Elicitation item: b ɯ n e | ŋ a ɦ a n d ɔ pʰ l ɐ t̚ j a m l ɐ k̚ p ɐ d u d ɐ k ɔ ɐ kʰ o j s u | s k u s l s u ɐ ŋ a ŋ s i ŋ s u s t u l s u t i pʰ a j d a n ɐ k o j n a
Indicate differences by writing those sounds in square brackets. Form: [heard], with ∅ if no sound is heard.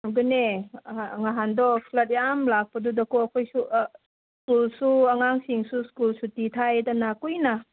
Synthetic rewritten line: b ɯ n e | ŋ a ɦ a n d ɔ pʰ l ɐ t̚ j a m l [a] k̚ p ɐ d u d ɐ k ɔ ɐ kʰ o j s u | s k u [∅] l s u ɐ ŋ a ŋ s i ŋ s u s [k] u l s u t i [tʰ] a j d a n [a] k [u] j n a